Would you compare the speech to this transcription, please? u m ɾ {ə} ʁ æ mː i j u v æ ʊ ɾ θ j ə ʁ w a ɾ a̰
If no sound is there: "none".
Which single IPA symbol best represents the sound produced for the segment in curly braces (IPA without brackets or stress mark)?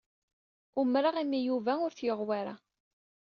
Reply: a